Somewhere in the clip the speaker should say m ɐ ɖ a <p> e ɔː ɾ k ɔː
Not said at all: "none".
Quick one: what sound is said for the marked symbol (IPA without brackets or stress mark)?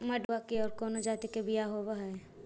k